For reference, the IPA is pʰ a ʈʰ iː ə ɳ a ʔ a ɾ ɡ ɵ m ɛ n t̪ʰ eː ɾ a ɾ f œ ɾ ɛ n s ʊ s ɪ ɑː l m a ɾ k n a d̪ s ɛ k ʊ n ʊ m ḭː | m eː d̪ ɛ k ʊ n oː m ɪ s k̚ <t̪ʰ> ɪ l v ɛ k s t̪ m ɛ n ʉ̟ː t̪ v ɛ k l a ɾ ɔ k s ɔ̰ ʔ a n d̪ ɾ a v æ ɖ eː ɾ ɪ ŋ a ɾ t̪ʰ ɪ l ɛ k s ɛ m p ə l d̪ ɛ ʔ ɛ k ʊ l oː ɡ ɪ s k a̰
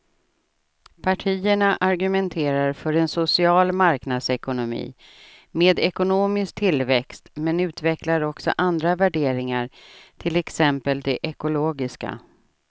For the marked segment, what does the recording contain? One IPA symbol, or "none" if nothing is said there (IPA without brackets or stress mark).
t̪ʰ